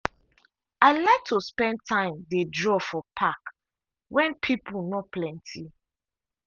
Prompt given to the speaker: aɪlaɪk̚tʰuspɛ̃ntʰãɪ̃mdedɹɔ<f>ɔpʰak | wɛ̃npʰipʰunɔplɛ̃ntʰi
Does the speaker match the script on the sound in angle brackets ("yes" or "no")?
yes